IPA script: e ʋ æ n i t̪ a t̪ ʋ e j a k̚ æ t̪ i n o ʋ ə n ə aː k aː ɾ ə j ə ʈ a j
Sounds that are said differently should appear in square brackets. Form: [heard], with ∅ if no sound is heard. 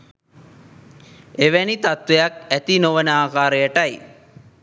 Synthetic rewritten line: e ʋ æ n i t̪ a t̪ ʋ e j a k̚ æ t̪ i n o ʋ ə n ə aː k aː ɾ ə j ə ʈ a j